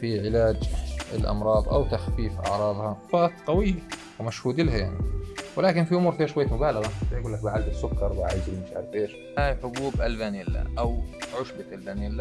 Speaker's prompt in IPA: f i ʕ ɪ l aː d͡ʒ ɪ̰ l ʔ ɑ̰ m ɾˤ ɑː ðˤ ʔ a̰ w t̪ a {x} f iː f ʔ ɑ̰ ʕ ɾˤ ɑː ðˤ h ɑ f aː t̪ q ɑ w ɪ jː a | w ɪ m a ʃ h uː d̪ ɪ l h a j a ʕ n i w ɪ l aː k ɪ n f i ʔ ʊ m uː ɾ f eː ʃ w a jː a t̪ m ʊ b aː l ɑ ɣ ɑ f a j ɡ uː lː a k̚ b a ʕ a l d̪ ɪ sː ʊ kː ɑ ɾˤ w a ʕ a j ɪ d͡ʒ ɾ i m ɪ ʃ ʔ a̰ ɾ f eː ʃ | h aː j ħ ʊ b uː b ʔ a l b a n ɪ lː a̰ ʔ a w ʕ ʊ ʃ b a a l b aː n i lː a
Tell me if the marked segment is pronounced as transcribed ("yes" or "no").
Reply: yes